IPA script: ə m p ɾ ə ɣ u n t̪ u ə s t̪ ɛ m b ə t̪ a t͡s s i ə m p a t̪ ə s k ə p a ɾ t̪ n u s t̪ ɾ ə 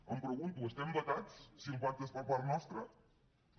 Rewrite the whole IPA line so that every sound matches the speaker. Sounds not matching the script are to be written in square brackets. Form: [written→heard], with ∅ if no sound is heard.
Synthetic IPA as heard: ə m p ɾ ə ɣ u n t̪ u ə s t̪ ɛ m b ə t̪ a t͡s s i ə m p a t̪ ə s [k→p] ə p a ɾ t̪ n [u→ɔ] s t̪ ɾ ə